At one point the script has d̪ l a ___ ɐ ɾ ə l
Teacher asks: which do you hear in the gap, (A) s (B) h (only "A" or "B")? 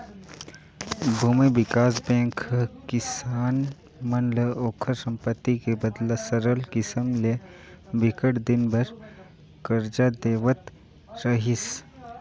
A